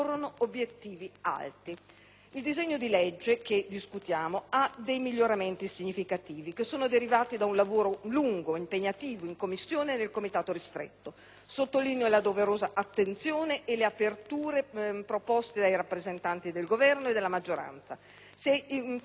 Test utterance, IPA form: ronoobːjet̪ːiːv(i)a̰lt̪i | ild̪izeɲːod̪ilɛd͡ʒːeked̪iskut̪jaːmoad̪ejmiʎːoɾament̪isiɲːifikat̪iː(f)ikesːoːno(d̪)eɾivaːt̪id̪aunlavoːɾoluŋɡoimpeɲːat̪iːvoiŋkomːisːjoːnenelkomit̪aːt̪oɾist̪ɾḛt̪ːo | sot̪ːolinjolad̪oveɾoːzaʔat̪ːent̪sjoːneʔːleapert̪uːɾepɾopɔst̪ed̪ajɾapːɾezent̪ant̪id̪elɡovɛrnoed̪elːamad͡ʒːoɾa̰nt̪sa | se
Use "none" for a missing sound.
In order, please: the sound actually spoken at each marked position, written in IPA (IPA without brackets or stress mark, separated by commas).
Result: i, v, d̪